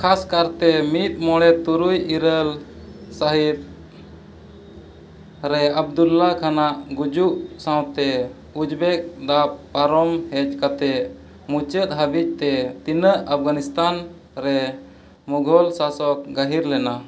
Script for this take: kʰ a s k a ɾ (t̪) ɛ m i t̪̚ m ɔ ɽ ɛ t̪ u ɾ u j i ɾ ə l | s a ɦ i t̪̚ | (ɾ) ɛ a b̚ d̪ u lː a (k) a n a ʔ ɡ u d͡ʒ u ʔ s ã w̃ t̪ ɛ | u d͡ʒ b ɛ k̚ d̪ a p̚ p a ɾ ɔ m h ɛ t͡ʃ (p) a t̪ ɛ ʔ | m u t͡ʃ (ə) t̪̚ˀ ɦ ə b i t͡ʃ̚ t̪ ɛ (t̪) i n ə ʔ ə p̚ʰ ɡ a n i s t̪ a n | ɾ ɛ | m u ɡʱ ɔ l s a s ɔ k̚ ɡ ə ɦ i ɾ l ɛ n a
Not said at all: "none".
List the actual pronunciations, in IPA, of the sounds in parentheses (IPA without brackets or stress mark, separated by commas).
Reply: t̪, ɾ, kʰ, k, ə, t̪